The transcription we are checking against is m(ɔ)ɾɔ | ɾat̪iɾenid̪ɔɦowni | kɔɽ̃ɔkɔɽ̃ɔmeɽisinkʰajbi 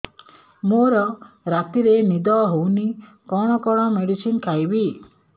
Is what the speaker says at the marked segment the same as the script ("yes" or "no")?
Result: no